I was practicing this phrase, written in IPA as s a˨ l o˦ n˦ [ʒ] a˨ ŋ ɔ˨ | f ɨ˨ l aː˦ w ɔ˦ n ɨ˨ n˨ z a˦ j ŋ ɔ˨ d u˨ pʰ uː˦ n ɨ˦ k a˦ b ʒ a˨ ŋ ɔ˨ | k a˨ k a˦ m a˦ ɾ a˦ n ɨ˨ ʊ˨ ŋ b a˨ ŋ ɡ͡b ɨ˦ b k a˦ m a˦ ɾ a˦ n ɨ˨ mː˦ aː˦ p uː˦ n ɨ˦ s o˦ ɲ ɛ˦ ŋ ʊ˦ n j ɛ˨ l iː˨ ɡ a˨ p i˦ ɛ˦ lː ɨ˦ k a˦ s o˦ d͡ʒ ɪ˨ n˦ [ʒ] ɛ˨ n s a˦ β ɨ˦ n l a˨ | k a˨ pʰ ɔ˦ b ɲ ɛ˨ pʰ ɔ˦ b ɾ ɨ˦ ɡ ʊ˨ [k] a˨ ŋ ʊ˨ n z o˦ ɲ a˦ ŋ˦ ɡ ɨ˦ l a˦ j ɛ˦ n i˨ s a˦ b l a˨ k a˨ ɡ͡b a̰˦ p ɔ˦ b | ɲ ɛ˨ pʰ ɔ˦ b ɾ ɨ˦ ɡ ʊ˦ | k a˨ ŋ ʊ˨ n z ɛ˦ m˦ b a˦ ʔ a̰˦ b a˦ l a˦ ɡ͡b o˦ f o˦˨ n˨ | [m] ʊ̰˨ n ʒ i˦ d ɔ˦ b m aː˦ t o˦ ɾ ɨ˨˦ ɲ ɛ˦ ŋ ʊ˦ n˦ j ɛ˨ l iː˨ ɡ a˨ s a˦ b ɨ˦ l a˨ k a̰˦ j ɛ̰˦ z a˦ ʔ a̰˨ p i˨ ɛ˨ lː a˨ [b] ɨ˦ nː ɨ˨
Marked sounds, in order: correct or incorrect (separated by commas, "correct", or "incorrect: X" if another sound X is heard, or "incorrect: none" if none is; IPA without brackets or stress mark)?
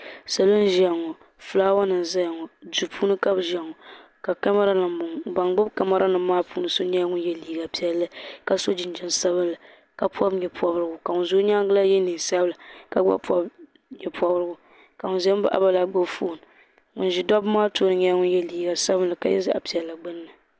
correct, incorrect: d͡ʒ, correct, incorrect: ŋ, incorrect: ɡ͡b